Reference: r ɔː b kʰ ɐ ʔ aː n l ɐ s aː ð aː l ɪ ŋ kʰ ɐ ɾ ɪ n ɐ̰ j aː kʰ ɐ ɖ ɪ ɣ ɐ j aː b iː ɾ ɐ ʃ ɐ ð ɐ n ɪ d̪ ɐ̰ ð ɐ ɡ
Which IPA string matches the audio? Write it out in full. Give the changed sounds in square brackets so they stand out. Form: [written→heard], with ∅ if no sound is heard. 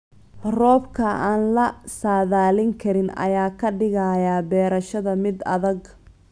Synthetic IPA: r ɔː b kʰ ɐ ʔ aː n l ɐ s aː ð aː l ɪ ŋ kʰ ɐ ɾ ɪ n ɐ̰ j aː kʰ ɐ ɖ ɪ ɣ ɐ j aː b [iː→ɛː] ɾ ɐ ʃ ɐ ð ɐ [n→m] ɪ d̪ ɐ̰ ð ɐ ɡ